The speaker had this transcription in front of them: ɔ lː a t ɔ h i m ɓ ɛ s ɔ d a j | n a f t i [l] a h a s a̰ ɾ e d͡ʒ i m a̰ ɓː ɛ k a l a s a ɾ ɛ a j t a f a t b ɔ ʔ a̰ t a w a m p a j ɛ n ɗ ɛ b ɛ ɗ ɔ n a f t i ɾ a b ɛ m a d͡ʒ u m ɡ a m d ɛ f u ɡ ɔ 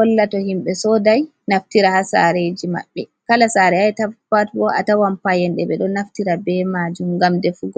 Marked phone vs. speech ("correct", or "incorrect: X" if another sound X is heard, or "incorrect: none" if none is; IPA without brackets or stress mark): incorrect: ɾ